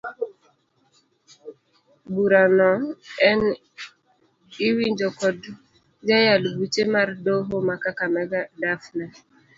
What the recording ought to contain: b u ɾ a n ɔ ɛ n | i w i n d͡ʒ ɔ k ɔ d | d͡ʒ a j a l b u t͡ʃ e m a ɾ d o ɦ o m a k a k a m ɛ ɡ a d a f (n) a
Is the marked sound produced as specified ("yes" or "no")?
yes